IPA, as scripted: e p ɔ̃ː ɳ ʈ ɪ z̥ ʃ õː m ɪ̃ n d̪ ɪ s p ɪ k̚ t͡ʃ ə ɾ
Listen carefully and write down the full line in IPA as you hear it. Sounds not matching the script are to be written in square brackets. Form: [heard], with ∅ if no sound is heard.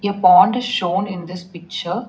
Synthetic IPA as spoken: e p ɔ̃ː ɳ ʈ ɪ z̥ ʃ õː [n] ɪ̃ n d̪ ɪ s p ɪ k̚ t͡ʃ ə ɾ